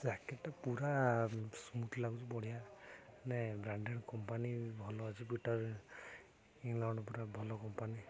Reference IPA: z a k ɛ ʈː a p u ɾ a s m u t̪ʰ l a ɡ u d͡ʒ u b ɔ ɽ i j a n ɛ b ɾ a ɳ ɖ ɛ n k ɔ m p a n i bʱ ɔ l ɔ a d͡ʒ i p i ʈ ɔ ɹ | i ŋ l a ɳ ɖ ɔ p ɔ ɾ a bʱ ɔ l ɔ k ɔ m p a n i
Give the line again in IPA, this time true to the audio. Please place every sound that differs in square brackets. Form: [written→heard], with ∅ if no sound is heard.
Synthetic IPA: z a k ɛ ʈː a p u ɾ a s m u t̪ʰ l a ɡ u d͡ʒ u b ɔ ɽ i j a n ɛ b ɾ a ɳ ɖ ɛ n k ɔ m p a n i bʱ ɔ l ɔ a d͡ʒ i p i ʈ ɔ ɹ | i ŋ l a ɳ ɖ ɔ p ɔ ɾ a bʱ ɔ l ɔ k ɔ m p a n i